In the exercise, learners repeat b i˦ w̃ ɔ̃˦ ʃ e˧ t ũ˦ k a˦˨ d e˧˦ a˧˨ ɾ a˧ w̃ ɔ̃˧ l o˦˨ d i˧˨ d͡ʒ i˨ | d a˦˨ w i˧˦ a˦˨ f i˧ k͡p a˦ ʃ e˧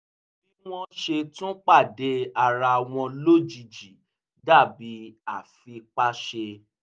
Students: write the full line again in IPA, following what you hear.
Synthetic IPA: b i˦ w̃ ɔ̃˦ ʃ e˧ t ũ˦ k͡p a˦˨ d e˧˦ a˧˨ ɾ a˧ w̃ ɔ̃˧ l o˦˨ d͡ʒ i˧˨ d͡ʒ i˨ | d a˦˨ b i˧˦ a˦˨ f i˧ k͡p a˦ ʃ e˧